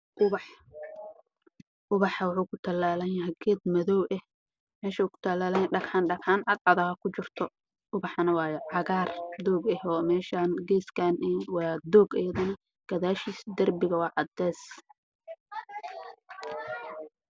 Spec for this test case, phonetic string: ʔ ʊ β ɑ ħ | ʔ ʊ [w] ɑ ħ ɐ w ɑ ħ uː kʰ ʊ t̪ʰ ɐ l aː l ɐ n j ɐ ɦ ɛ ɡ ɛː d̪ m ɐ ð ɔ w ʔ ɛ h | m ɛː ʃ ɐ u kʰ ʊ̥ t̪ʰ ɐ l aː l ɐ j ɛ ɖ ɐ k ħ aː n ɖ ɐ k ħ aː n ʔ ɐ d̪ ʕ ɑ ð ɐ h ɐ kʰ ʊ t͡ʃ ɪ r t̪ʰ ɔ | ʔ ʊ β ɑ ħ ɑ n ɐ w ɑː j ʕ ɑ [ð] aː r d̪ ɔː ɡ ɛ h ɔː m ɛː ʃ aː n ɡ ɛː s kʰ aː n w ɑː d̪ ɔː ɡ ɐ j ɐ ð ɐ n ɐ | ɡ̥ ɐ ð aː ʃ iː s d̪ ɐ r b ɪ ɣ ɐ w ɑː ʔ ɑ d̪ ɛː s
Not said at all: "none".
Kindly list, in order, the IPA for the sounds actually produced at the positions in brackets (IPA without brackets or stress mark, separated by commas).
β, ɣ